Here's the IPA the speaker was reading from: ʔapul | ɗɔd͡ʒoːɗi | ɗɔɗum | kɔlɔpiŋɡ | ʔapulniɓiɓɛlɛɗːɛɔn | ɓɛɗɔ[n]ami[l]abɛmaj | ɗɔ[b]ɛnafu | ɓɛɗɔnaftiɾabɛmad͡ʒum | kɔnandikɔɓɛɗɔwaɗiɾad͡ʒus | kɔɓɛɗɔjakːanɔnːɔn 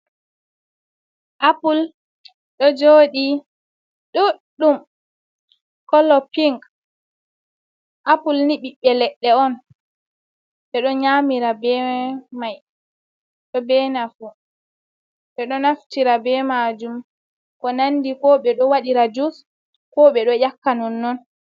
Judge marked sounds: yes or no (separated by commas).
no, no, yes